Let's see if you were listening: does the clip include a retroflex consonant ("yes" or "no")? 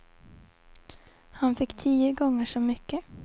yes